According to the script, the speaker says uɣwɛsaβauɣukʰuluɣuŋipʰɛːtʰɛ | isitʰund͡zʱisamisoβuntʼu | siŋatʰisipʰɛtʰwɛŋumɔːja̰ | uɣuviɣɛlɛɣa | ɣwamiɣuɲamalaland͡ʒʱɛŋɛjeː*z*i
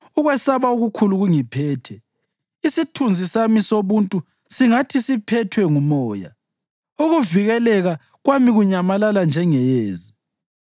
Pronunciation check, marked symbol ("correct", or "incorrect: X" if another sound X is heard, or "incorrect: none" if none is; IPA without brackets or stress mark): correct